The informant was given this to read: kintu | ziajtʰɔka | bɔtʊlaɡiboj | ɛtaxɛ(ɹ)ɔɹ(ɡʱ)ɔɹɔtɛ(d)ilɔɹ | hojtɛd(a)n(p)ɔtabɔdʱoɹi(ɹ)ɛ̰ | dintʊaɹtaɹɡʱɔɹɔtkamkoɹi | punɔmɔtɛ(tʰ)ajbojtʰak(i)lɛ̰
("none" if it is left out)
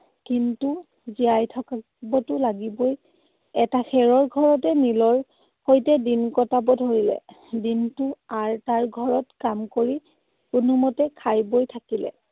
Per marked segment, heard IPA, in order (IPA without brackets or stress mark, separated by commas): ɹ, ɡʱ, n, i, k, l, kʰ, i